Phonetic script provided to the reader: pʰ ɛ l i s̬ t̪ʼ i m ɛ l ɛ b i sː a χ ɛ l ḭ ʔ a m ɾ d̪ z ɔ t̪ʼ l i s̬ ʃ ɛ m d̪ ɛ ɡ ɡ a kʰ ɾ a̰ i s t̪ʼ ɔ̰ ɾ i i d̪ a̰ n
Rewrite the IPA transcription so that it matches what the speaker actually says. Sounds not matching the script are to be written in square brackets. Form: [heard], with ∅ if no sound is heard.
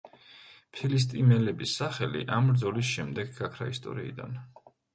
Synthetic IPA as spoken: pʰ [i] l i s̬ t̪ʼ i m ɛ l ɛ b i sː a χ ɛ l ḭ ʔ a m ɾ d̪ z ɔ [∅] l i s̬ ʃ ɛ m d̪ ɛ ɡ ɡ a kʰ ɾ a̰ i s t̪ʼ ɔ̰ ɾ i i d̪ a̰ n